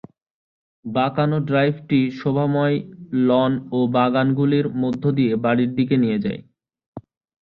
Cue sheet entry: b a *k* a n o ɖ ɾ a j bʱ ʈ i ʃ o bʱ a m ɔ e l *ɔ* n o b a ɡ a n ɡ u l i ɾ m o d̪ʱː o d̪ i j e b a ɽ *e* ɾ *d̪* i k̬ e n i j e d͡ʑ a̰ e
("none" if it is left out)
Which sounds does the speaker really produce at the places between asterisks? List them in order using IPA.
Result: k, ɔ, i, d̪

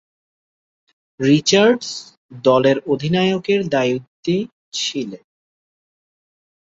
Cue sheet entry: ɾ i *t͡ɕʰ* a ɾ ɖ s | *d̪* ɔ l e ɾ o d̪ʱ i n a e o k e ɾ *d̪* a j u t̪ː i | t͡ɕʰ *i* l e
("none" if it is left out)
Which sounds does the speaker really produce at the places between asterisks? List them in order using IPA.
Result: t͡ɕ, d̪, d̪, i

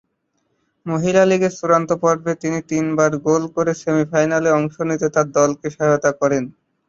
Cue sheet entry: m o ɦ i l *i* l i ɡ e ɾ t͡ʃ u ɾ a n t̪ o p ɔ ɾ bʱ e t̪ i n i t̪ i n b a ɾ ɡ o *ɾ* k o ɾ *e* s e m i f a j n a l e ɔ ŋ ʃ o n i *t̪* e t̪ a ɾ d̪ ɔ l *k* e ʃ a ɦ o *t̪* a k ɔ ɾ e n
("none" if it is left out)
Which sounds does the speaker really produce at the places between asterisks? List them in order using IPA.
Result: a, l, e, t̪, k, t̪

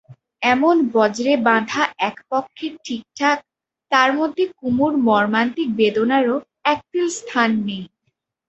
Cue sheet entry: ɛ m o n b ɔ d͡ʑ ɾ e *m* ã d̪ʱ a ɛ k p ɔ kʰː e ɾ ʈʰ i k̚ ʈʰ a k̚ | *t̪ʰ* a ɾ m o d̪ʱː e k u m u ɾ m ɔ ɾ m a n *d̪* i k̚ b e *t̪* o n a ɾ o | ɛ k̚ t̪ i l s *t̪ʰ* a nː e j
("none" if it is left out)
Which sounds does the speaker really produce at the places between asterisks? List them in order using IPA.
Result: b, t̪, t̪, d̪, t̪ʰ

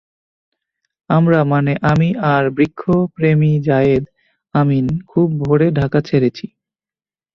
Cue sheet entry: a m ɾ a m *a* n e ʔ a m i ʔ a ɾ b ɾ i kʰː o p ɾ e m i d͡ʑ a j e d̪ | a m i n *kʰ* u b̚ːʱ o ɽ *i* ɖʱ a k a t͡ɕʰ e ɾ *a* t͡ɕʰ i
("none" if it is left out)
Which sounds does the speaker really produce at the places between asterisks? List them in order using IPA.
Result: a, kʰ, e, e

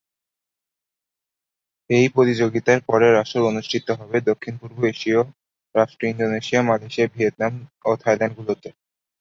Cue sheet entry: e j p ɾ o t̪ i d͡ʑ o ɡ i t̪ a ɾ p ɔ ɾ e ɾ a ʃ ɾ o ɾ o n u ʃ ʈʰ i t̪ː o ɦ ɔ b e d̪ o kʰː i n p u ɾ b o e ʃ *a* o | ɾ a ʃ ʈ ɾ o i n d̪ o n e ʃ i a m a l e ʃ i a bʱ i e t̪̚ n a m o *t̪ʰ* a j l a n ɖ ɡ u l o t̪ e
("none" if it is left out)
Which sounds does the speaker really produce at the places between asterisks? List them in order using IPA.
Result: i, t̪ʰ

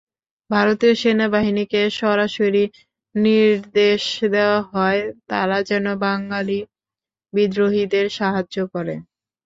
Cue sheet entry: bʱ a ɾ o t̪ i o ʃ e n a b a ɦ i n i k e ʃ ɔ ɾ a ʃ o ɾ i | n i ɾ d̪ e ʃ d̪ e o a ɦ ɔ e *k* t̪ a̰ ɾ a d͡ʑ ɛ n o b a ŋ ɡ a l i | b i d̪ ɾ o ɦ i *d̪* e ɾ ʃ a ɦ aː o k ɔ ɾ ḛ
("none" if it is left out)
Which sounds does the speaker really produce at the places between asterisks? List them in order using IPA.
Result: none, d̪

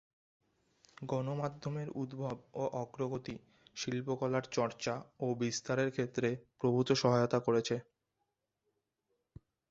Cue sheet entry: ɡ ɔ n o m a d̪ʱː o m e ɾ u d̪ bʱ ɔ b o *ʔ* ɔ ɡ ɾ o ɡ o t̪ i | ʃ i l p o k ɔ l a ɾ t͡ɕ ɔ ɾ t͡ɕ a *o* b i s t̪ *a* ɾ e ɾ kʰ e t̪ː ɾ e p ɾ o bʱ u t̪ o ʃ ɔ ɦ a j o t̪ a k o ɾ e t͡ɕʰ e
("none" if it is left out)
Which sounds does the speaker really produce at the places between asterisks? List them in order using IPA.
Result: ʔ, o, a

